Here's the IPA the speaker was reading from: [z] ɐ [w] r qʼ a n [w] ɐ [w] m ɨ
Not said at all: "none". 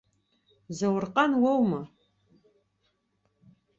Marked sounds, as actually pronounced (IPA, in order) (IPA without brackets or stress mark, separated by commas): z, w, w, w